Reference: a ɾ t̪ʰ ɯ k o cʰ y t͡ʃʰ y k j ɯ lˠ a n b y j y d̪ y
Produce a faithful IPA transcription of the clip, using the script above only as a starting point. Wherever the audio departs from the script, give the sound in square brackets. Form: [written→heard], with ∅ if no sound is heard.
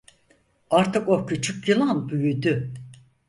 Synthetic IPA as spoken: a ɾ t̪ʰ ɯ k o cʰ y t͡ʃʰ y k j ɯ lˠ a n b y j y d̪ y